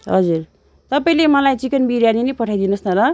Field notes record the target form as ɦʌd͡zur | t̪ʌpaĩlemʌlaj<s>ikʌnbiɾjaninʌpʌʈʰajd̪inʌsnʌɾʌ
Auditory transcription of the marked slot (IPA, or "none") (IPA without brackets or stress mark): t͡s